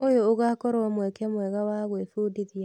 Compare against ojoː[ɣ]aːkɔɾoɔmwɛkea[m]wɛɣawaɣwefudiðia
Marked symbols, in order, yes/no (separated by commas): yes, yes